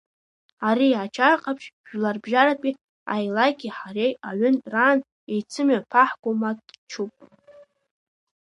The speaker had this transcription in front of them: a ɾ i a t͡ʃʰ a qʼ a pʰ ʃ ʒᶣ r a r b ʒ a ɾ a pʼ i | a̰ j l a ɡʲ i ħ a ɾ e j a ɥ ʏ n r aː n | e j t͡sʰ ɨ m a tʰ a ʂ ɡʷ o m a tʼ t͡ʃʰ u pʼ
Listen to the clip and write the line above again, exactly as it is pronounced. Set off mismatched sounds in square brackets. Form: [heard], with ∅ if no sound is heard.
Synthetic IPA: a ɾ i a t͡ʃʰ a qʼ a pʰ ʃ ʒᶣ [l] a r b ʒ a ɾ a pʼ i | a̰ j l a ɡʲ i ħ a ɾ e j a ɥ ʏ n r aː n | e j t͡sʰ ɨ m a [pʰ] a [ħ] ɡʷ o m a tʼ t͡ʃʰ u pʼ